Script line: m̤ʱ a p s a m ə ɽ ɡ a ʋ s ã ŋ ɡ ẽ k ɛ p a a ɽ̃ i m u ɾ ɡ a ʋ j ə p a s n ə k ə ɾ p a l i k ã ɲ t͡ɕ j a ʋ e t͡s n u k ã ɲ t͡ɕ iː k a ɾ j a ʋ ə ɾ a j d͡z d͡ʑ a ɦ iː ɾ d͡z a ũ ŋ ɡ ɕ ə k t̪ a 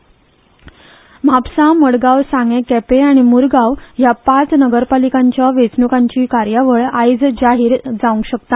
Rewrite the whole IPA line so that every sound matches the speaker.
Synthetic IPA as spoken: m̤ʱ a p s a m ə ɽ ɡ a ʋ s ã ŋ ɡ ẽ k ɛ p e a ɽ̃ i m u ɾ ɡ a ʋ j a p a t͡s n ə ɡ ə ɾ p a l i k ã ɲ t͡ɕ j a ʋ e t͡s n u k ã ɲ t͡ɕ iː k a ɾ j a ʋ ə ɭ a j d͡z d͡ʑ a ɦ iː ɾ d͡z a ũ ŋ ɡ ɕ ə k t̪ a